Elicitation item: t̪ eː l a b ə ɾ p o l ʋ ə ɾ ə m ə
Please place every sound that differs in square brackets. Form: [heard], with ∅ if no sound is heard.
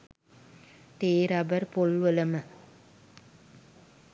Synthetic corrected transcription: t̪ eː [ɾ] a b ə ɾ p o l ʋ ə [l] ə m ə